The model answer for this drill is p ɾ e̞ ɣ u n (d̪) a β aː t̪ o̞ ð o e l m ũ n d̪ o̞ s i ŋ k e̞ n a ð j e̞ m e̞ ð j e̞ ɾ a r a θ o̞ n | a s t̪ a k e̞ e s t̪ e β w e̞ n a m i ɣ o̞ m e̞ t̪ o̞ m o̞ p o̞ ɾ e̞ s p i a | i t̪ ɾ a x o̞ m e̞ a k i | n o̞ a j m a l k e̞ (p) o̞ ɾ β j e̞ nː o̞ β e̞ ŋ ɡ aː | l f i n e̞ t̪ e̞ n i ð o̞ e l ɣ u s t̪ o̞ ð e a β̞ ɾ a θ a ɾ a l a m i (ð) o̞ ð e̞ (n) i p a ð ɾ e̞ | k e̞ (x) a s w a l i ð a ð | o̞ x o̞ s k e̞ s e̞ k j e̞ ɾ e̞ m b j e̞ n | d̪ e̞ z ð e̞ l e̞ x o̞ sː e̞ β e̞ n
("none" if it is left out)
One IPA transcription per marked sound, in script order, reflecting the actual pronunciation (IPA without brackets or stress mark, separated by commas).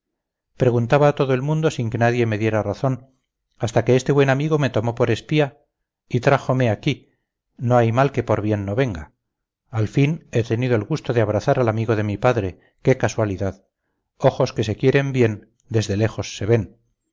t̪, p, ɣ, m, k